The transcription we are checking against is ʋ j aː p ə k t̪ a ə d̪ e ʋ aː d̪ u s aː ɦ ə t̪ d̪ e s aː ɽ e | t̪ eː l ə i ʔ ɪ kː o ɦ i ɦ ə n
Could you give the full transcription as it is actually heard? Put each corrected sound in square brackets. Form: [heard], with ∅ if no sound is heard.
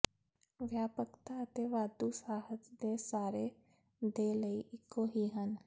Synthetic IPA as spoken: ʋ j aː p ə k t̪ a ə [t̪] e ʋ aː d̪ u s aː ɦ ə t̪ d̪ e s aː [ɾ] e | [d̪] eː l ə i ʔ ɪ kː o ɦ i ɦ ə n